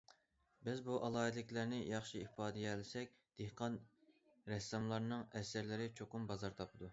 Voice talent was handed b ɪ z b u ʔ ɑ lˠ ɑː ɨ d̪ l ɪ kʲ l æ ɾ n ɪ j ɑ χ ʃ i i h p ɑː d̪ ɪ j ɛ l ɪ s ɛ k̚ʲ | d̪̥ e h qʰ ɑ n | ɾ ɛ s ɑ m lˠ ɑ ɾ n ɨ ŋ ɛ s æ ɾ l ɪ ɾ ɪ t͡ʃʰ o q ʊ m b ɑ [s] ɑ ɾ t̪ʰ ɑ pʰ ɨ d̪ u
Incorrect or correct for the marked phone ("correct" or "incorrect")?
incorrect